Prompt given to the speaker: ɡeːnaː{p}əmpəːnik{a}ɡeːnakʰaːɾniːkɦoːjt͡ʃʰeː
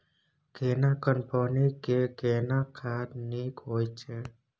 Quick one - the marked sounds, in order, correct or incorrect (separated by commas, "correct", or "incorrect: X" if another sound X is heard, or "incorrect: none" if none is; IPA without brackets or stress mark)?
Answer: incorrect: k, incorrect: e